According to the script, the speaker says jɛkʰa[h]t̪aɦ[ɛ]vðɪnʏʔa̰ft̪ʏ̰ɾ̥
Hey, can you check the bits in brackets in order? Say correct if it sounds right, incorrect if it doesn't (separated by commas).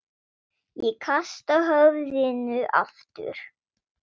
incorrect, incorrect